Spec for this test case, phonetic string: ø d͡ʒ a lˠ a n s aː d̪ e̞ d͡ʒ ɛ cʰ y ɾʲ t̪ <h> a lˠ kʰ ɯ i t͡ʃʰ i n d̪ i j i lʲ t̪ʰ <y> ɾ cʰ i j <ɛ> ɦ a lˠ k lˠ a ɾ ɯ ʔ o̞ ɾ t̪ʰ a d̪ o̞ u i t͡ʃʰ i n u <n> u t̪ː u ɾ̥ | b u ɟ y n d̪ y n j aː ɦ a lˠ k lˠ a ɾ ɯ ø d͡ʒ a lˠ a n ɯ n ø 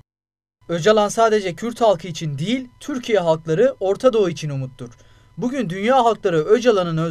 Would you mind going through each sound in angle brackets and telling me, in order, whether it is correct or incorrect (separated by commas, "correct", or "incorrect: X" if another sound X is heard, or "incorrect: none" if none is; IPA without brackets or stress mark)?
correct, correct, correct, incorrect: m